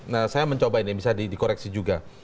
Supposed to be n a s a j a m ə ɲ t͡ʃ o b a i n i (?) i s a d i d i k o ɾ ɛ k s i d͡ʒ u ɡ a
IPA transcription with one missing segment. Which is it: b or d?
b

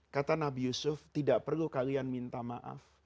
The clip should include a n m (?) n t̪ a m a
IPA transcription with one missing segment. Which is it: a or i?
i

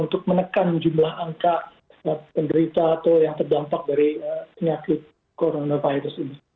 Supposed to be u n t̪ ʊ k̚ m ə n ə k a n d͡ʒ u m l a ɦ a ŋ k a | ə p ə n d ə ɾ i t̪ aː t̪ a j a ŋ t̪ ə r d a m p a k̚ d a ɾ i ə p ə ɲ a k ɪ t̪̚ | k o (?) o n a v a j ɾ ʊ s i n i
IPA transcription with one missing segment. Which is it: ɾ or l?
ɾ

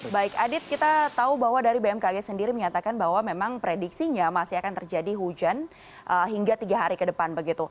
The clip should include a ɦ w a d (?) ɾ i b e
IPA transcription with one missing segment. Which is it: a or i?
a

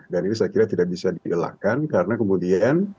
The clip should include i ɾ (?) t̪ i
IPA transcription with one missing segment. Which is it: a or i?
a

